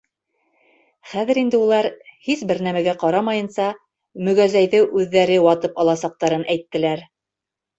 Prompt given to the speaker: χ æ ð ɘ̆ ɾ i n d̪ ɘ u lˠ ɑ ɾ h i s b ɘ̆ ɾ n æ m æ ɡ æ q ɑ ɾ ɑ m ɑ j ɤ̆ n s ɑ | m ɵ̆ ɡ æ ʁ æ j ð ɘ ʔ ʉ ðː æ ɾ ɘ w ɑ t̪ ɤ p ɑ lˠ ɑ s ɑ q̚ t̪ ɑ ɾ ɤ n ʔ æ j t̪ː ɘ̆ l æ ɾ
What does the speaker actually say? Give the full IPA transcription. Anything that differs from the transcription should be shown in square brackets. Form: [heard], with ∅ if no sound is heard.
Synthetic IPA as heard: χ æ ð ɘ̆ ɾ i n d̪ ɘ u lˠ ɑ ɾ h i s b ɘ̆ ɾ n æ m æ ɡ æ q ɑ ɾ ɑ m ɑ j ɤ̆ n s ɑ | m ɵ̆ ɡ æ [z] æ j ð ɘ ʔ ʉ ðː æ ɾ ɘ w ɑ t̪ ɤ p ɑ lˠ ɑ s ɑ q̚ t̪ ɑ ɾ ɤ n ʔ æ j t̪ː ɘ̆ l æ ɾ